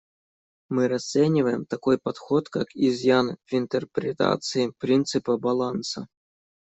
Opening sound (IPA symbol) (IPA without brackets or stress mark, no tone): m